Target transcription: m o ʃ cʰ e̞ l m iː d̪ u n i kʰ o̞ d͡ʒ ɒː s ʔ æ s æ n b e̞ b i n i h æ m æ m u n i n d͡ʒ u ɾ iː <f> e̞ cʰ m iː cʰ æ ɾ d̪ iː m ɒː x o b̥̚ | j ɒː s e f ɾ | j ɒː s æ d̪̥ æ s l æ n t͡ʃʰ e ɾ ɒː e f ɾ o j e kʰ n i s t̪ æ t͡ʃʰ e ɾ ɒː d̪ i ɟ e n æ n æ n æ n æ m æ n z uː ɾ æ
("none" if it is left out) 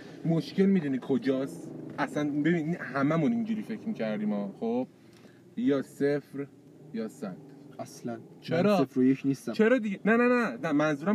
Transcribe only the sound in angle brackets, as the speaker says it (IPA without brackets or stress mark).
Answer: f